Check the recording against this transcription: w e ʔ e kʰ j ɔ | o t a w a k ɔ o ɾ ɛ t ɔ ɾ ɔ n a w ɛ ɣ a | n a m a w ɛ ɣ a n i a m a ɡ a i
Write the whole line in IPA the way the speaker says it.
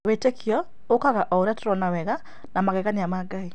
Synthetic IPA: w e t e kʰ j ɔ | o k a ɣ a ʔ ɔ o ɾ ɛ t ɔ ɾ ɔ n a w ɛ ɣ a | n a m a ɣ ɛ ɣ a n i a m a ɡ a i

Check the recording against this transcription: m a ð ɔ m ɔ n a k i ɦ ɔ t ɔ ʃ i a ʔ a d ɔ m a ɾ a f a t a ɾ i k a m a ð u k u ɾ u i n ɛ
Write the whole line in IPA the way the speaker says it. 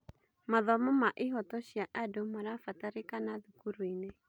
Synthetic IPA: m a ð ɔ m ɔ m a ʔ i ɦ ɔ t ɔ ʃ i a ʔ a d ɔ m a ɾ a f a t a ɾ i k a n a ð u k u ɾ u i n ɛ

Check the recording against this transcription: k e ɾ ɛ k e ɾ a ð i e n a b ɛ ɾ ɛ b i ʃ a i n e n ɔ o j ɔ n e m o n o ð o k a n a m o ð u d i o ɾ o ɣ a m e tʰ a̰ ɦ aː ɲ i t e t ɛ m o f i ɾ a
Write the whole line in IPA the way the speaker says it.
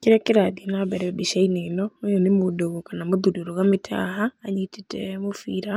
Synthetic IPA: k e ɾ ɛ k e ɾ a ð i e n a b ɛ ɾ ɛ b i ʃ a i n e n ɔ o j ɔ n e m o d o ɣ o k a n a m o ð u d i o ɾ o ɣ a m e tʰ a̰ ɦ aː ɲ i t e t ɛ m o f i ɾ a

